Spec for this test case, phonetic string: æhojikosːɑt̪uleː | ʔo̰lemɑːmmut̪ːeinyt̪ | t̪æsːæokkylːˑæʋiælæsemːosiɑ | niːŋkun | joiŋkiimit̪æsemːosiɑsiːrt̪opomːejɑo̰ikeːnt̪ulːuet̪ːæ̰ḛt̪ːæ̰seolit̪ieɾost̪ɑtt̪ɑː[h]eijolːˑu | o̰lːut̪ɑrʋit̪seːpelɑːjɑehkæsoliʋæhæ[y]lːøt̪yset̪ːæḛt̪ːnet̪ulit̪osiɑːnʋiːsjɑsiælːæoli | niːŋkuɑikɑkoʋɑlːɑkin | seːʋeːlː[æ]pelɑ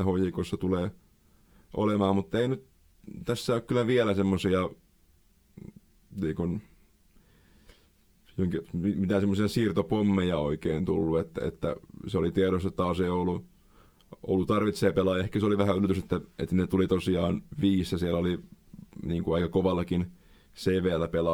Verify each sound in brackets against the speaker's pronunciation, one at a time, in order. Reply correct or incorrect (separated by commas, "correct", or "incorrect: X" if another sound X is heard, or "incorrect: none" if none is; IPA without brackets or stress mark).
incorrect: s, correct, correct